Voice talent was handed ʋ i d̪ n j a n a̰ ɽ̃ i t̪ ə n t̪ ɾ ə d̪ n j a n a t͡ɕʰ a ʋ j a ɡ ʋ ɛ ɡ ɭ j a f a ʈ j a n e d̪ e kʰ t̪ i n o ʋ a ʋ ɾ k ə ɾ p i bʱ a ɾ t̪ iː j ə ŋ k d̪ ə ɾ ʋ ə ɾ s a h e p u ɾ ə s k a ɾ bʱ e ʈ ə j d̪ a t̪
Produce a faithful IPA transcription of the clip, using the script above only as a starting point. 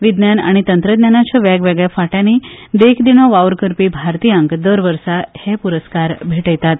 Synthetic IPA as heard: ʋ i d̪ n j a n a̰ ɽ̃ i t̪ ə n t̪ ɾ ə d̪ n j a n a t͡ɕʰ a ʋ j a ɡ ʋ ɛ ɡ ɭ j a f a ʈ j a n i d̪ e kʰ d̪ i n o ʋ a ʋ ɾ k ə ɾ p i bʱ a ɾ t̪ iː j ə ŋ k d̪ ə ɾ ʋ ə ɾ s a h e p u ɾ ə s k a ɾ bʱ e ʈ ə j t̪ a t̪